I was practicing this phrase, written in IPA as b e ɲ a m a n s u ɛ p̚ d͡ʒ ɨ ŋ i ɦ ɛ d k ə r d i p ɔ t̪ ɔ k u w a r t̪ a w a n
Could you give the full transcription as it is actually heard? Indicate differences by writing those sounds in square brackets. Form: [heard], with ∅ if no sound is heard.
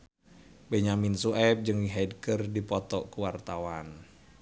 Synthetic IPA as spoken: b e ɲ a m [i] n s u ɛ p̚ d͡ʒ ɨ ŋ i ɦ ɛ d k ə r d i p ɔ t̪ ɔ k u w a r t̪ a w a n